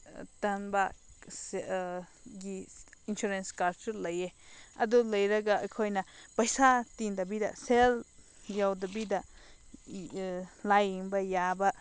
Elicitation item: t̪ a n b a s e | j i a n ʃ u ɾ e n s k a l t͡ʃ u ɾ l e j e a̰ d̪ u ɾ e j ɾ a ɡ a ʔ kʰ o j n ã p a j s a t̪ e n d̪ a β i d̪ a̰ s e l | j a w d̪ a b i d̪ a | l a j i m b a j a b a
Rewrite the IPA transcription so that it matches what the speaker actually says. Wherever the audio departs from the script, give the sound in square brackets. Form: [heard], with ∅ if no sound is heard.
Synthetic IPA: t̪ a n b a s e | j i [i] n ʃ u ɾ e n s k a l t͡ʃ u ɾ l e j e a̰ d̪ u [l] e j ɾ a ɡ a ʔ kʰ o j n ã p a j s a t̪ [i] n d̪ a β i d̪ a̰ s e l | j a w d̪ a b i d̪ a | l a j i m b a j a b a